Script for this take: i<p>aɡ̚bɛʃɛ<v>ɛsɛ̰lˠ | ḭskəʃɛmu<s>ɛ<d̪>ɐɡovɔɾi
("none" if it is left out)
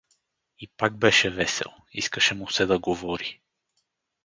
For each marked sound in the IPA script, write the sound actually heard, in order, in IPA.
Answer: p, v, s, d̪

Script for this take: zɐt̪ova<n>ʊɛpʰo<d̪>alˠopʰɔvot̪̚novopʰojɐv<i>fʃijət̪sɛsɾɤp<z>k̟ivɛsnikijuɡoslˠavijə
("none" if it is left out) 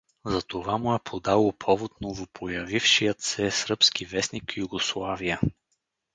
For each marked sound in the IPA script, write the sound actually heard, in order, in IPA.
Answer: m, d̪, i, s

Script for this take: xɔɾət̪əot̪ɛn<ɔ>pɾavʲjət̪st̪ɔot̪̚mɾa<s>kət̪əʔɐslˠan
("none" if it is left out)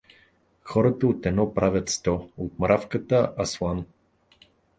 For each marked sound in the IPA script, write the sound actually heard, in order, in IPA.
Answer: ɔ, f

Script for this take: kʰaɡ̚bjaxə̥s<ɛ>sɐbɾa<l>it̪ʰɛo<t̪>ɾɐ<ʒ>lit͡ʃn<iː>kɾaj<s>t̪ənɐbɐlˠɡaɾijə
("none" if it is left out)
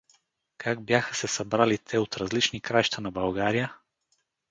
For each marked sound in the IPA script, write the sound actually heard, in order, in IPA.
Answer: ɛ, l, t̪, z, i, ʃ

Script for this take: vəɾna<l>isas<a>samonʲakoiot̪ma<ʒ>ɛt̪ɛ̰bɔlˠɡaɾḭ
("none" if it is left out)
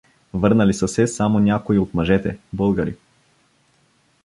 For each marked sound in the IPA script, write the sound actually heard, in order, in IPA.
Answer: l, ɛ, ʒ

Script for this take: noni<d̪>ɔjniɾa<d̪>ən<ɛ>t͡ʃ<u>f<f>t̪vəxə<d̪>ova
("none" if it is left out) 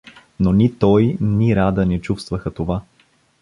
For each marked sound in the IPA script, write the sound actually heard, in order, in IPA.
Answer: t̪, d̪, ɛ, u, s, t̪

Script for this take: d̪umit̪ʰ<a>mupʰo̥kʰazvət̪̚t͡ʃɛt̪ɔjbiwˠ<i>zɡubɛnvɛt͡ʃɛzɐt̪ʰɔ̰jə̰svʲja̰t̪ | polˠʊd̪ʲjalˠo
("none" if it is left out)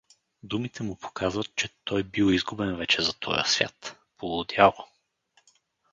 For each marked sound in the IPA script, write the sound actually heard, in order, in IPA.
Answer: ɛ, i

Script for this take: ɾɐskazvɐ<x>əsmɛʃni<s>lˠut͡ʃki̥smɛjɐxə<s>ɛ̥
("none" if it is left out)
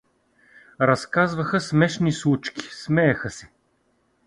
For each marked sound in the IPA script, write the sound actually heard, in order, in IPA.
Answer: x, s, s

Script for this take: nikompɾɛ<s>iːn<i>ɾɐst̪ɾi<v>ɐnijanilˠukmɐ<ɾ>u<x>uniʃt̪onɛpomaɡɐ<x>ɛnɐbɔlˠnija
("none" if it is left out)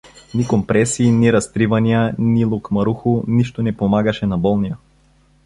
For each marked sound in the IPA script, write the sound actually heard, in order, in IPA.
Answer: s, i, v, ɾ, x, ʃ

